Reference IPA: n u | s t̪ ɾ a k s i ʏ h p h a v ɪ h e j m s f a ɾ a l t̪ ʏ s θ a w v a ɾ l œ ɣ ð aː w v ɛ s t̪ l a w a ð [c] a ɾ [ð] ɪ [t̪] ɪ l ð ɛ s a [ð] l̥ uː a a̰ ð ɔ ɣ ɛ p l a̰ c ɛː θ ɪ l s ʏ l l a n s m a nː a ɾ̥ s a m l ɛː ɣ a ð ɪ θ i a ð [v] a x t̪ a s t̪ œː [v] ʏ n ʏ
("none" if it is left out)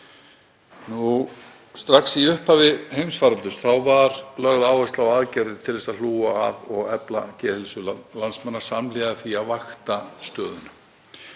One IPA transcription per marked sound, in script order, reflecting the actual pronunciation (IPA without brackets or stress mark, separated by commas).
c, ð, t̪ʰ, ð, v, ð